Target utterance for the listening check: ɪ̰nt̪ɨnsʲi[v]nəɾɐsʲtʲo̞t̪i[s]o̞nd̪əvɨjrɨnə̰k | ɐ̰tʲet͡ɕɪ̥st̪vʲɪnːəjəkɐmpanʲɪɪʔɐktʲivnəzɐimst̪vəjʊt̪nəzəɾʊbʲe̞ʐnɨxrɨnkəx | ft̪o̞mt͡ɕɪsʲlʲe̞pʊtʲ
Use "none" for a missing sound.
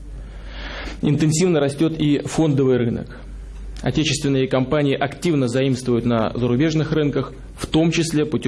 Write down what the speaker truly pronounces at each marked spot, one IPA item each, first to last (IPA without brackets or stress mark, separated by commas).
v, f